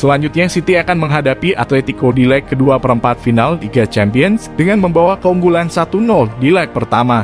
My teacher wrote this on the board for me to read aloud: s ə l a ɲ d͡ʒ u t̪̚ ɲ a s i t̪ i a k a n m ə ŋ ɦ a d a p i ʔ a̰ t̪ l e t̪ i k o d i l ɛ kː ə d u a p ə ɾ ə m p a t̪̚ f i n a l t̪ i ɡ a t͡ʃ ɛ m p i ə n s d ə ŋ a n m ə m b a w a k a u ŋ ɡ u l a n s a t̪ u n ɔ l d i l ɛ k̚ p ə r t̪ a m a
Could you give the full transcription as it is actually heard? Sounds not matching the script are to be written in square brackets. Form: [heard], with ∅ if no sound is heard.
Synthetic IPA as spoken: s ə l a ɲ d͡ʒ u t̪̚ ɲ a s i t̪ i a k a n m ə ŋ ɦ a d a p i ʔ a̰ t̪ l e t̪ i k o d i l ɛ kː ə d u a p ə ɾ ə m p a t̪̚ f i n a l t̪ i ɡ a t͡ʃ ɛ m p i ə n s d ə ŋ a n m ə m b a w a k [ə] u ŋ ɡ u l a n s a t̪ u n ɔ l d i l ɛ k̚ p ə r t̪ a m a